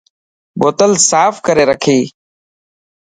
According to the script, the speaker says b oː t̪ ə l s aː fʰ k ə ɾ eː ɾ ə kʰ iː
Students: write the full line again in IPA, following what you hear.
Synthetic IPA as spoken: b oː t̪ ə l s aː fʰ k ə ɾ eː ɾ ə kʰ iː